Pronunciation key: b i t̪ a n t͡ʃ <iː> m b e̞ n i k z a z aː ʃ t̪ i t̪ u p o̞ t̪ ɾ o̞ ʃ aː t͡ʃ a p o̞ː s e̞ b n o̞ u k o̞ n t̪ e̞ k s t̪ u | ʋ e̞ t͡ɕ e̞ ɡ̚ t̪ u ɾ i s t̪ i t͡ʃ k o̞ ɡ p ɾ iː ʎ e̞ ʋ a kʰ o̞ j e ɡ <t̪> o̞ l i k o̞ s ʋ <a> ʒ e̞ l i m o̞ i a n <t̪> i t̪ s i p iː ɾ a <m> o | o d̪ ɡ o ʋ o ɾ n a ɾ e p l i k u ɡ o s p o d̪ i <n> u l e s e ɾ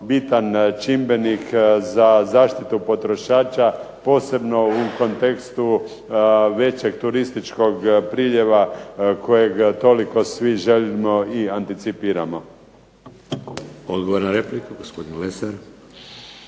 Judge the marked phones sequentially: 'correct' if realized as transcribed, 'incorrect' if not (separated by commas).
incorrect, correct, incorrect, correct, correct, correct